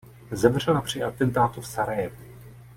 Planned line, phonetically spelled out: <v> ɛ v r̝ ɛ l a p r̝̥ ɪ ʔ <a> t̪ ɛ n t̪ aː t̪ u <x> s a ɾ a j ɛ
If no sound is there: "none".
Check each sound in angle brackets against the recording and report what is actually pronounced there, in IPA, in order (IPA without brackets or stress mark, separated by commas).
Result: z, a, f